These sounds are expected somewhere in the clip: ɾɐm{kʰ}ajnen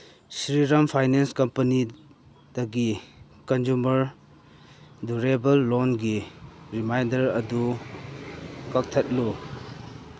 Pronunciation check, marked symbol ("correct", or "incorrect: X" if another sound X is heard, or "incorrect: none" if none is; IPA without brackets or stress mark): incorrect: pʰ